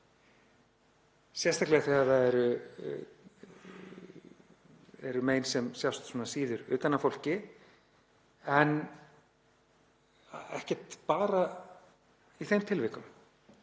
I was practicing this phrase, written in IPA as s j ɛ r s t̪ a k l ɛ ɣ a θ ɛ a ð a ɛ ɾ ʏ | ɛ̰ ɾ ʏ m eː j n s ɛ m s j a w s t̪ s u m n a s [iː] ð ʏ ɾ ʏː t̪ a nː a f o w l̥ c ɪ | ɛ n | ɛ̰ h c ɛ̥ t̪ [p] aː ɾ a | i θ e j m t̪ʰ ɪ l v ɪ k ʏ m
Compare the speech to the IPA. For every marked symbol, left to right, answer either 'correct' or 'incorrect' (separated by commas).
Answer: correct, correct